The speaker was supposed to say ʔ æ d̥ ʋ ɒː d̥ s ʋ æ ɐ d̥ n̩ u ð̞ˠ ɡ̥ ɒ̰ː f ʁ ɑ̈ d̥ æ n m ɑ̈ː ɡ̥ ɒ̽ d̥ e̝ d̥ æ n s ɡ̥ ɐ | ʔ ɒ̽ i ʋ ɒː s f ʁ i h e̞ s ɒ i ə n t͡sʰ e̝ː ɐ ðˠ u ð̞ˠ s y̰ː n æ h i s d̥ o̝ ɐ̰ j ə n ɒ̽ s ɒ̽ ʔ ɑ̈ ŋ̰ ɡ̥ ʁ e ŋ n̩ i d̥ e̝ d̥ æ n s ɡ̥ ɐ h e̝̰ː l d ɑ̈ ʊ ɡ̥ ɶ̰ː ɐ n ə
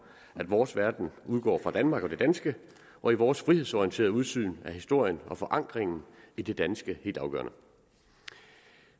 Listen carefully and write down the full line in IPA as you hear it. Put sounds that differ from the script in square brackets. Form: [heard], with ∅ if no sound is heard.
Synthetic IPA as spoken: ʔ æ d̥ ʋ ɒː [∅] s ʋ æ ɐ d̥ n̩ u ð̞ˠ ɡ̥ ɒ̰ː f ʁ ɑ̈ d̥ æ n m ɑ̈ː ɡ̥ ɒ̽ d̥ e̝ d̥ æ n s ɡ̥ [ə] | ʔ ɒ̽ i ʋ ɒː s f ʁ i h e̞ s ɒ i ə n t͡sʰ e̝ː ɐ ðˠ u ð̞ˠ s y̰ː n æ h i s d̥ o̝ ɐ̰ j ə n ɒ̽ [f] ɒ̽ ʔ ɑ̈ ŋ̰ ɡ̥ ʁ e ŋ n̩ i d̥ e̝ d̥ æ n s ɡ̥ [ə] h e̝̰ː l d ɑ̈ ʊ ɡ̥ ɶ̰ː ɐ n ə